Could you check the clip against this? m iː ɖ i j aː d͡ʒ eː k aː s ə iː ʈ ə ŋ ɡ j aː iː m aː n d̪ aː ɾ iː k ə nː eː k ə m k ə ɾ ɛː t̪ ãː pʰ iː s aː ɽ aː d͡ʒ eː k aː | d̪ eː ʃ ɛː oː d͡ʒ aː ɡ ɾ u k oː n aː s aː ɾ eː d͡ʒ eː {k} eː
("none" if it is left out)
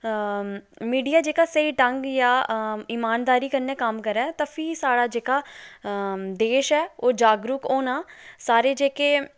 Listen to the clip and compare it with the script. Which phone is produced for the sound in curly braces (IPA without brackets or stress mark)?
k